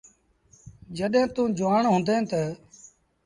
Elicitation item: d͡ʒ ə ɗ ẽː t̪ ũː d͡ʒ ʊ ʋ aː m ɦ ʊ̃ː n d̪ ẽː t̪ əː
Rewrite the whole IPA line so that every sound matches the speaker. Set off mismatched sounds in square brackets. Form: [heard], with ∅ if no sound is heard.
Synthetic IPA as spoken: d͡ʒ ə ɗ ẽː t̪ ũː d͡ʒ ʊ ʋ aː [ɳ] ɦ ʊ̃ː n d̪ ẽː t̪ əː